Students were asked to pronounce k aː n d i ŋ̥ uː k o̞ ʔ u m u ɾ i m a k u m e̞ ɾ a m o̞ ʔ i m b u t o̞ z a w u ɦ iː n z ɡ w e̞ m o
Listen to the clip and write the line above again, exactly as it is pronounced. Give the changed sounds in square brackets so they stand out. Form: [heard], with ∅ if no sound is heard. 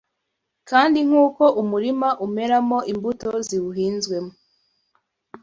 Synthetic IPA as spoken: k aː n d i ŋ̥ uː k o̞ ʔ u m u ɾ i m a [ʔ] u m e̞ ɾ a m o̞ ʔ i m b u t o̞ z [i] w u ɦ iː n z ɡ w e̞ m o